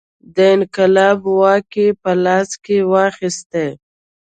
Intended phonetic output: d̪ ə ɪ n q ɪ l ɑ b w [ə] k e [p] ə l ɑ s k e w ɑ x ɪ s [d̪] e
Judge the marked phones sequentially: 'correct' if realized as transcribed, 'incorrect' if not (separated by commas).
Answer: incorrect, correct, incorrect